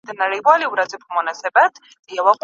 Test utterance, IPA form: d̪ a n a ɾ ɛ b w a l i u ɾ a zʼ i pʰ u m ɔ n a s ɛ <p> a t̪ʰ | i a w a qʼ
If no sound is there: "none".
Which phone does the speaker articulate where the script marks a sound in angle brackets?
b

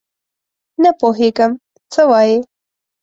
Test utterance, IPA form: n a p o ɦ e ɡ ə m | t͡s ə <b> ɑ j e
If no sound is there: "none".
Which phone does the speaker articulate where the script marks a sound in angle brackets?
w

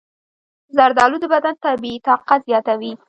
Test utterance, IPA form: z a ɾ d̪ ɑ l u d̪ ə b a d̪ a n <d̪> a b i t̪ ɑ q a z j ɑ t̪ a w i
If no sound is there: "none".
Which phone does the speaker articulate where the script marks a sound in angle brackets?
t̪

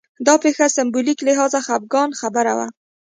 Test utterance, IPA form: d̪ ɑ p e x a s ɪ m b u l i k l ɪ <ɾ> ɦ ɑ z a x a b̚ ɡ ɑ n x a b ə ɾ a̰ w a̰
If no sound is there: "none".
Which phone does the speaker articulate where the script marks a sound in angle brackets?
none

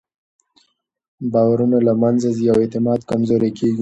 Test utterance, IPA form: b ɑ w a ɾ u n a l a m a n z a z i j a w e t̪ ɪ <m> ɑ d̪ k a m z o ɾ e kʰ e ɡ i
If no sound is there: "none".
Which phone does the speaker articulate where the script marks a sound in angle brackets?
m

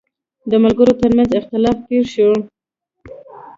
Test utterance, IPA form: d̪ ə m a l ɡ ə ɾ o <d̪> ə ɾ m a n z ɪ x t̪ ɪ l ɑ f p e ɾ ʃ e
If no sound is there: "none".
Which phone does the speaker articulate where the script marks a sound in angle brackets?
t̪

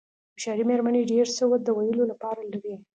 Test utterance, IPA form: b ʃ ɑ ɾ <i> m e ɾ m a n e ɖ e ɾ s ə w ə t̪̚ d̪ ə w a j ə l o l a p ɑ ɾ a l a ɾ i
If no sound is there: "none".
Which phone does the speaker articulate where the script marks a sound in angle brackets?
i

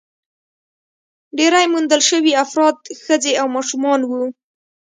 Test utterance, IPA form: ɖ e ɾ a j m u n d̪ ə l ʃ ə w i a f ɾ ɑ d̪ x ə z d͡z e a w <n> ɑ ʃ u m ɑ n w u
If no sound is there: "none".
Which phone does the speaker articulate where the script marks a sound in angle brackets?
m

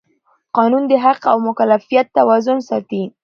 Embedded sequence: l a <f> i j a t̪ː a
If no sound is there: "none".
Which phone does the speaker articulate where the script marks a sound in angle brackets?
f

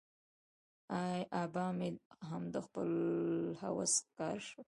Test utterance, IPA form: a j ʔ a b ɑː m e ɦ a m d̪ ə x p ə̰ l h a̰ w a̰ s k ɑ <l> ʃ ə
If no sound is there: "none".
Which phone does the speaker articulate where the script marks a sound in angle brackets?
ɾ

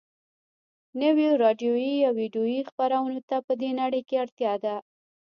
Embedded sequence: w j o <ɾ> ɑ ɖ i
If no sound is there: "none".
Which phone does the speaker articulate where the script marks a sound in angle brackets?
ɾ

